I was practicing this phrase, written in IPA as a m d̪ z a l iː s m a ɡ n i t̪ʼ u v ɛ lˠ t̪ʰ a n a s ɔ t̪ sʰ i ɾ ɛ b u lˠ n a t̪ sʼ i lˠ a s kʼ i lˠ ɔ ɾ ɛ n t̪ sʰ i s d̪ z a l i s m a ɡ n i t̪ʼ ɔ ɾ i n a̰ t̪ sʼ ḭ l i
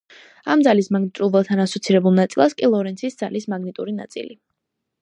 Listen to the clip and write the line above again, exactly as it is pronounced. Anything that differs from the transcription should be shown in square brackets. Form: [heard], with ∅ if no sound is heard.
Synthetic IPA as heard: a m d̪ z a l [i] s m a ɡ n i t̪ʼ u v ɛ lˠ t̪ʰ a n a s ɔ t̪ sʰ i ɾ ɛ b u lˠ n a t̪ sʼ i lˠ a s kʼ i lˠ ɔ ɾ ɛ n t̪ sʰ i s d̪ z a l i s m a ɡ n i t̪ʼ [u] ɾ i n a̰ t̪ sʼ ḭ l i